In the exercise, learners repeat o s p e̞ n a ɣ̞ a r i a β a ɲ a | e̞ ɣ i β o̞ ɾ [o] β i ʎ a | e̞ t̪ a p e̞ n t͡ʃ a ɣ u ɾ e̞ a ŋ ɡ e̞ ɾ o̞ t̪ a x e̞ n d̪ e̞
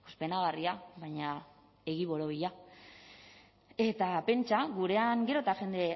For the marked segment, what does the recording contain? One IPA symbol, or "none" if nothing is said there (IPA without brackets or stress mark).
o